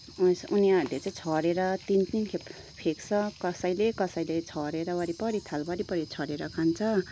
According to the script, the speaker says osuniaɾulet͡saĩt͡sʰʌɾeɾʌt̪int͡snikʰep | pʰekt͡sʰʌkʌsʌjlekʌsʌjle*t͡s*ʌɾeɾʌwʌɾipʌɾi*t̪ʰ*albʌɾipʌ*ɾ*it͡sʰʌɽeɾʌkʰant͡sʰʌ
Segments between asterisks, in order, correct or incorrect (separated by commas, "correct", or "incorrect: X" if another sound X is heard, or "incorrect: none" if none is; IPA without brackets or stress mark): incorrect: t͡sʰ, correct, correct